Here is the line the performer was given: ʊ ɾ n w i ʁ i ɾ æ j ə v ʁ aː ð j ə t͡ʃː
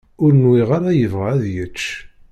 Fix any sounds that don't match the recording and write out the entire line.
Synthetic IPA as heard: ʊ ɾ n w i ʁ a ɾ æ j ə v ʁ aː ð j ə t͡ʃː